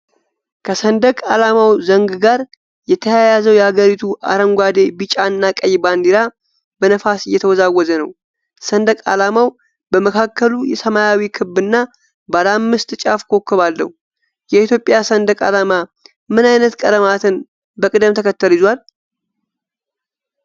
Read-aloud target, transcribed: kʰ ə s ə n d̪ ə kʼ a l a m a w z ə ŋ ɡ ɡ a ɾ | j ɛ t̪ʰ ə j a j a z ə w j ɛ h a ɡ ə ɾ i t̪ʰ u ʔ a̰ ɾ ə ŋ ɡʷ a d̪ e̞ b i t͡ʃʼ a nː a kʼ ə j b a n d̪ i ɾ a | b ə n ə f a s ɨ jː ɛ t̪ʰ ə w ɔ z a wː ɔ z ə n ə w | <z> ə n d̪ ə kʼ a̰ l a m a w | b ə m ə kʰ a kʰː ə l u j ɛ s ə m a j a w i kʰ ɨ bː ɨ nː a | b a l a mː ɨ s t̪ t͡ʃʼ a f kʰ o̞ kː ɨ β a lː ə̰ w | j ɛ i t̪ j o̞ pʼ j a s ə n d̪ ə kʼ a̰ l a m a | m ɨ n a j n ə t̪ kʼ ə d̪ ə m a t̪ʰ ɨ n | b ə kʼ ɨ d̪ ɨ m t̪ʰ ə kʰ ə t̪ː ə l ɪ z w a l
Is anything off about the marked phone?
yes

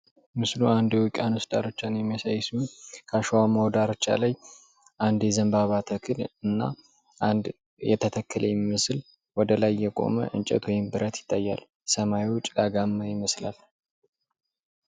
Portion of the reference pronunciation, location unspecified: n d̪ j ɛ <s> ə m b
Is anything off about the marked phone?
yes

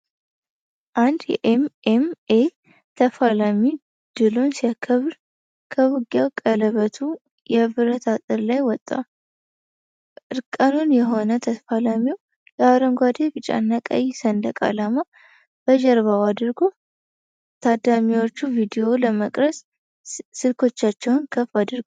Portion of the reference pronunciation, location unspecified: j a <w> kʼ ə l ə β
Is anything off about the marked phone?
no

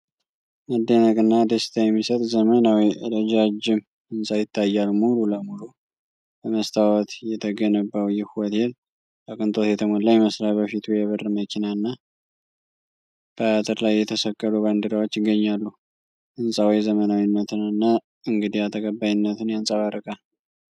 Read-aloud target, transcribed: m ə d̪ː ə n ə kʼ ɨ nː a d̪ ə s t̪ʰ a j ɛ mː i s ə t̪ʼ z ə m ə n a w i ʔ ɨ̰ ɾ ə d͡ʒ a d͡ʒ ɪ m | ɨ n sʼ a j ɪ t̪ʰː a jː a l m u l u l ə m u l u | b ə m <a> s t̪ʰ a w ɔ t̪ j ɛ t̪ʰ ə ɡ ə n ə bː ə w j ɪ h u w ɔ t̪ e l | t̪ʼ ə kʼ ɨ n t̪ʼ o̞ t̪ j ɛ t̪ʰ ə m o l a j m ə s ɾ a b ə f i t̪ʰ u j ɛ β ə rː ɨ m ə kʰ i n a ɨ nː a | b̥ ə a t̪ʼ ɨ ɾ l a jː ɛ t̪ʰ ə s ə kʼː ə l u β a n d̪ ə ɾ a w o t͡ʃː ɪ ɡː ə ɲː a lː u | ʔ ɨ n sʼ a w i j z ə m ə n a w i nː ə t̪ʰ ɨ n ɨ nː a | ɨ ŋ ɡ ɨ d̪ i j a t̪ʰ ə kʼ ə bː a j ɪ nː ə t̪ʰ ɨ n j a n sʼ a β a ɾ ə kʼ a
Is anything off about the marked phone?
yes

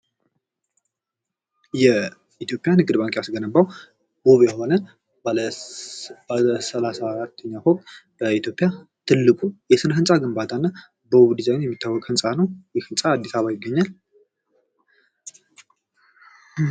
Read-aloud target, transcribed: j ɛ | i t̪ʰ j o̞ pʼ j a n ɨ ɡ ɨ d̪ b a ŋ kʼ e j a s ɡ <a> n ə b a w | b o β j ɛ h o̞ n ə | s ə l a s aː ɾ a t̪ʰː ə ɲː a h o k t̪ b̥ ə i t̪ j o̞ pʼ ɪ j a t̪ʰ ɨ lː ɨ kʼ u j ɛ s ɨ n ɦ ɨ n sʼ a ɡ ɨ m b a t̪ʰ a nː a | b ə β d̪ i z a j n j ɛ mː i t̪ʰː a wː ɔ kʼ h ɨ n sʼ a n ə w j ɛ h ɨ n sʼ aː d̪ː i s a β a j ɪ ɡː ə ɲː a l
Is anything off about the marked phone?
yes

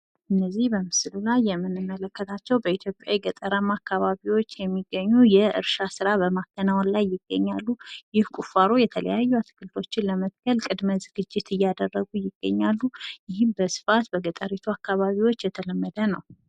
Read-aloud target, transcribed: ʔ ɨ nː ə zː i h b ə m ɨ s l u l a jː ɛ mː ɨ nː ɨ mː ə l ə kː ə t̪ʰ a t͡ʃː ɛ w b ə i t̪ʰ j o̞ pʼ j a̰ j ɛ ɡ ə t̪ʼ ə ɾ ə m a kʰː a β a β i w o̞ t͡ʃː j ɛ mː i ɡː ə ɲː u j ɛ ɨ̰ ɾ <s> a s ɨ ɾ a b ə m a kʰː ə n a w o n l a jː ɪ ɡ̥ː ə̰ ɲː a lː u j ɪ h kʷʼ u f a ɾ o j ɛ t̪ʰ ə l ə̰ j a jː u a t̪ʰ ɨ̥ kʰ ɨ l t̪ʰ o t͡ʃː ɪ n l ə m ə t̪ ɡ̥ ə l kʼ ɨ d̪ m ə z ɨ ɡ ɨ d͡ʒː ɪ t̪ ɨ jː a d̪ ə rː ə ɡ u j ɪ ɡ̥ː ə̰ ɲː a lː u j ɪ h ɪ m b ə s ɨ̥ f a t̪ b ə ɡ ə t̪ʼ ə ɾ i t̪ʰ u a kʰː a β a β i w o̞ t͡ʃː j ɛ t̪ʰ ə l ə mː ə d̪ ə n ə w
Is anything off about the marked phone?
yes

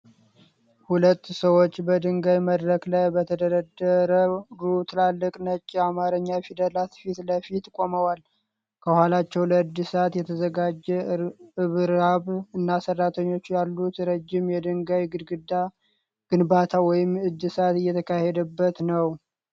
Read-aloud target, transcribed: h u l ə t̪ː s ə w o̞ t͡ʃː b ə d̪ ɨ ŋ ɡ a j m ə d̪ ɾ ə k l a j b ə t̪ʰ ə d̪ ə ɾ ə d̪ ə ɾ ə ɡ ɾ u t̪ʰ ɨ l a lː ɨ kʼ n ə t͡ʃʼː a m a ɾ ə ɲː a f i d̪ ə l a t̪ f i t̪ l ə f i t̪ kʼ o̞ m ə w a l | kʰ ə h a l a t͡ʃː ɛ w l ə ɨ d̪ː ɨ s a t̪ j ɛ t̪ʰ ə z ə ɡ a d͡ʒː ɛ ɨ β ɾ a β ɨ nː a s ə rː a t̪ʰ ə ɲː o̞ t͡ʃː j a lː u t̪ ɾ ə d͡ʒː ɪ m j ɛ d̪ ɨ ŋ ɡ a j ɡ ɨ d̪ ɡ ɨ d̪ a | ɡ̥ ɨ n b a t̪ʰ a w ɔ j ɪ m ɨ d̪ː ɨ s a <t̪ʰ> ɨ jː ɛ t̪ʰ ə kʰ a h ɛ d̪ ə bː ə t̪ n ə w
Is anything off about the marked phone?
yes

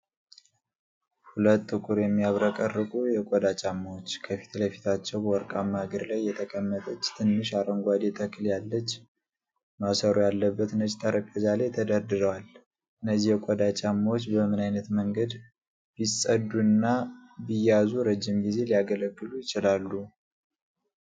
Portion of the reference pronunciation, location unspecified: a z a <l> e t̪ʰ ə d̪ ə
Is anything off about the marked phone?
no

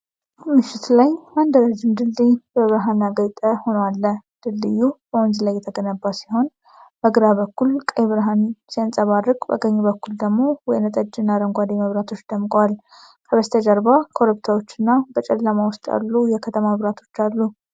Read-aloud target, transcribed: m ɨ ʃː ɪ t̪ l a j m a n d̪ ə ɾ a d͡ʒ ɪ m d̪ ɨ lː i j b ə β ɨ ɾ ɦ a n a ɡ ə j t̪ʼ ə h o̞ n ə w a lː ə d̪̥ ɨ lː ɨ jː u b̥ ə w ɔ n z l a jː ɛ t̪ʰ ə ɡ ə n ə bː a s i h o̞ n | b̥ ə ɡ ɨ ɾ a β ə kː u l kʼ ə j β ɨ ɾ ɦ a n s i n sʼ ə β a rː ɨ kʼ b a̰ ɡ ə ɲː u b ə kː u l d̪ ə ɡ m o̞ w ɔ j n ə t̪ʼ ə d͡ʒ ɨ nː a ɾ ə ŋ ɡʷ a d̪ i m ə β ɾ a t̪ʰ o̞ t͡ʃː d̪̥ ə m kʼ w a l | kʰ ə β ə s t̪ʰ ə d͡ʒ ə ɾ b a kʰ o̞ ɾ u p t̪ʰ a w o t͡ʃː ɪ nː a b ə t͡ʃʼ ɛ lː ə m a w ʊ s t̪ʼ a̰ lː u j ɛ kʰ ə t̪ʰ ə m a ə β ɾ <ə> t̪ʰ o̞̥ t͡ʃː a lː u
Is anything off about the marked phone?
yes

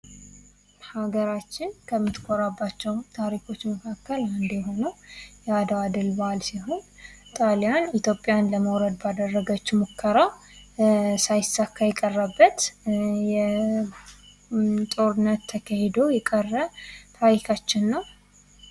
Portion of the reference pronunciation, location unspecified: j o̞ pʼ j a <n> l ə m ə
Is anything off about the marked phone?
no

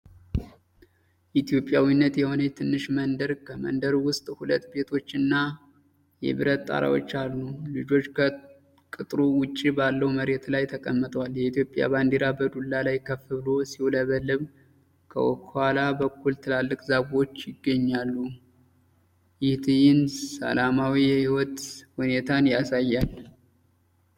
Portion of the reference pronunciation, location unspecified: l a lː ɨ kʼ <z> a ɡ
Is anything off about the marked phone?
no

